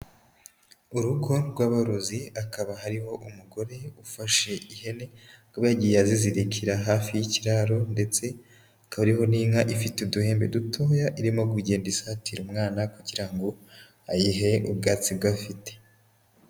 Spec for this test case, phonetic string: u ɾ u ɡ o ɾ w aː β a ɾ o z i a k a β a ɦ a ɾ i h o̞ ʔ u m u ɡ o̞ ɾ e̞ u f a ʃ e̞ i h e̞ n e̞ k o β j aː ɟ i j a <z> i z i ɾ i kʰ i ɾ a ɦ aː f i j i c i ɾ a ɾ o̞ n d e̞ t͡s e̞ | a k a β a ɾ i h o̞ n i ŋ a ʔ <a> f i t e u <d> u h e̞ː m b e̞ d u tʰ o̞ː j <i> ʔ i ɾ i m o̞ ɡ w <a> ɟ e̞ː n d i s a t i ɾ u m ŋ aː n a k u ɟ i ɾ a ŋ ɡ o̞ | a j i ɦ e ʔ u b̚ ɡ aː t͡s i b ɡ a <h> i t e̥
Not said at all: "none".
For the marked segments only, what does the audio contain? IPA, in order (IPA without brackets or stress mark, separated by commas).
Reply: z, i, d, a, i, f